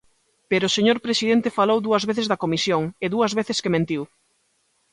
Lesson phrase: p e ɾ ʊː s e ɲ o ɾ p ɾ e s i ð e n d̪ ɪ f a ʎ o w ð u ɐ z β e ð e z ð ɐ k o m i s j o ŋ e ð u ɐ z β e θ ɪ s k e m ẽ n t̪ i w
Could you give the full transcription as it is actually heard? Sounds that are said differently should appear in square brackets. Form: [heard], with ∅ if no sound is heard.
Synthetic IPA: p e ɾ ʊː s e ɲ o ɾ p ɾ e s i ð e n [t̪] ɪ f a [l] o w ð u ɐ z β e [θ] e z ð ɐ k o m i s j o ŋ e ð u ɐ z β e θ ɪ s k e m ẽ n t̪ i w